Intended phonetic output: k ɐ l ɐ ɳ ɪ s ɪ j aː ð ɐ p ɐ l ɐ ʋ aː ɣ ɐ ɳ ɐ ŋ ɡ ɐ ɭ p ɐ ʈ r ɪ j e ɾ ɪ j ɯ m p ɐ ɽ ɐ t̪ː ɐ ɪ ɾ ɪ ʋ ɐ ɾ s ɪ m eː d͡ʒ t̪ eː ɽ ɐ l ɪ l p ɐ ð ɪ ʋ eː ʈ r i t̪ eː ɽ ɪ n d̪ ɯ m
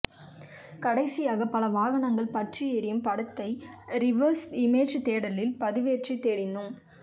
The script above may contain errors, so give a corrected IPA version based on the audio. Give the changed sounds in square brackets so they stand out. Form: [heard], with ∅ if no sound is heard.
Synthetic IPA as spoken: k ɐ [ɽ] ɐ [∅] ɪ s ɪ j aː [ɣ] ɐ p ɐ l ɐ ʋ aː ɣ ɐ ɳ ɐ ŋ ɡ ɐ ɭ p ɐ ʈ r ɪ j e ɾ ɪ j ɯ m p ɐ ɽ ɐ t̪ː ɐ ɪ ɾ ɪ ʋ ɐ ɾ s ɪ m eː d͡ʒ t̪ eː ɽ ɐ l ɪ l p ɐ ð ɪ ʋ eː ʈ r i t̪ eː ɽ ɪ n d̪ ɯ m